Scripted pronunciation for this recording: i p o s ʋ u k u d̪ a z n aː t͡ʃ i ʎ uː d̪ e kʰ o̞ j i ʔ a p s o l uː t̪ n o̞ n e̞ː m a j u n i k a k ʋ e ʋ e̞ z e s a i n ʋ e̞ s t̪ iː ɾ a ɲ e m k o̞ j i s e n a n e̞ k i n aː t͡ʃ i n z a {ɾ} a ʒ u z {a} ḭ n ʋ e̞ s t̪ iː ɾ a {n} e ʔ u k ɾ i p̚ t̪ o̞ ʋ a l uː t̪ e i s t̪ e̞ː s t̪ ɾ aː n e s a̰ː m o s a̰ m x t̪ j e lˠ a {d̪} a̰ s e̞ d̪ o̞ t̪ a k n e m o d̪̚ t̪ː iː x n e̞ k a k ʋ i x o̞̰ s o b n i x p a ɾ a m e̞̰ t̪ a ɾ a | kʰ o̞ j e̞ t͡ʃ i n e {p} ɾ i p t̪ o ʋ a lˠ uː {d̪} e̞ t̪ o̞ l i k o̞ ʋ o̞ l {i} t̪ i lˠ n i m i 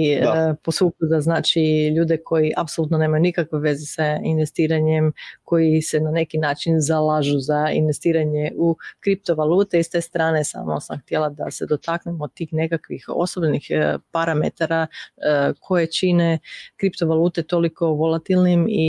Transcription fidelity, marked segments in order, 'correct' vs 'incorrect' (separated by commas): incorrect, correct, incorrect, correct, incorrect, incorrect, incorrect